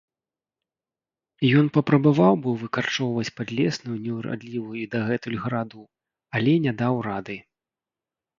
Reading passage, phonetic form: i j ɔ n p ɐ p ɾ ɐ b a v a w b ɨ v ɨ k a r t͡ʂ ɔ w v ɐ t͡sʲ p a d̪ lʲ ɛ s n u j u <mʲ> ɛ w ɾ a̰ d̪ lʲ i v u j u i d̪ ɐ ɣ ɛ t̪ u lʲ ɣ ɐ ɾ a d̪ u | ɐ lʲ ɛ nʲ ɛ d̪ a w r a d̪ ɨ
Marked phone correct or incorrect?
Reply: incorrect